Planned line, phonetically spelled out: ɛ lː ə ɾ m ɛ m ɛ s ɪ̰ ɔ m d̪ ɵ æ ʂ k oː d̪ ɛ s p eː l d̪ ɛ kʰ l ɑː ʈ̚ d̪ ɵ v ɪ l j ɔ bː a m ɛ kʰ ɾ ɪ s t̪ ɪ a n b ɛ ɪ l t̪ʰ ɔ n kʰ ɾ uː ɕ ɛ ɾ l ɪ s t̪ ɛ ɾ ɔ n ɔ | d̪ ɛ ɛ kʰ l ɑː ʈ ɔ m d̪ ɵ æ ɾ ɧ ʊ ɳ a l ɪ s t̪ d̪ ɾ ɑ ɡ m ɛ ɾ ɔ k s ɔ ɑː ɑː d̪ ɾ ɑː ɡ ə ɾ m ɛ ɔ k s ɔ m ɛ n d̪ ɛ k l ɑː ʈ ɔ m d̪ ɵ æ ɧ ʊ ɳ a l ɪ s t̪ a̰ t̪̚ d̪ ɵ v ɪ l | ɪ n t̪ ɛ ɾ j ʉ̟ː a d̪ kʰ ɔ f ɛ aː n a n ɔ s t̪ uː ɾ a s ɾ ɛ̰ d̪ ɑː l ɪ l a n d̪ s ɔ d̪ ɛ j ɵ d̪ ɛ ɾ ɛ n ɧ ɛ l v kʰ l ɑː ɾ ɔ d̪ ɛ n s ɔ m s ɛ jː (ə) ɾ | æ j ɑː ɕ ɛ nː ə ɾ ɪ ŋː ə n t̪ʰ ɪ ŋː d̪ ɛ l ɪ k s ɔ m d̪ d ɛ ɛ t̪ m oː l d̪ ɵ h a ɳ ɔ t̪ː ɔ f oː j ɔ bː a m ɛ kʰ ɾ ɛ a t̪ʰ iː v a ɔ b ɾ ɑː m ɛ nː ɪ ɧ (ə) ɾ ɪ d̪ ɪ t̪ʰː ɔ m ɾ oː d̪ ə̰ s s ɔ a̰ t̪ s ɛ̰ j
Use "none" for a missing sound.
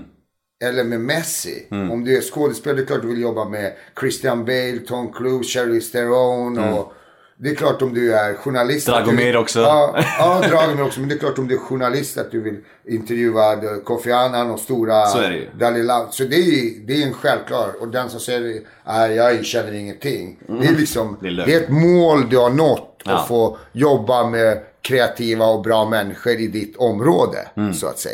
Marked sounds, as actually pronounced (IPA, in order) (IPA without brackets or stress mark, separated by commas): ə, ə